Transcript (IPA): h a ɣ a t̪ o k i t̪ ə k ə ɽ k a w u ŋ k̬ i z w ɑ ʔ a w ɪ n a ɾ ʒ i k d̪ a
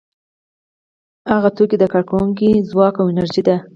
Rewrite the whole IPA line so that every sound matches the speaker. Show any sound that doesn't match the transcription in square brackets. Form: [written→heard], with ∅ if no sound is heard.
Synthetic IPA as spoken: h a ɣ a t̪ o k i [t̪→d̪] ə k [ə→ɑ] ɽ k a w u ŋ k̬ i z w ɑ [ʔ→k] a w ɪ n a ɾ ʒ i [k→∅] d̪ a